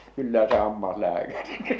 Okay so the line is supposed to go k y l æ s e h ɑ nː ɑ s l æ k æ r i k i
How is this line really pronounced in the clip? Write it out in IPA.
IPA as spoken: k y lː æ s e h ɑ mː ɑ s l æː k æ r i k i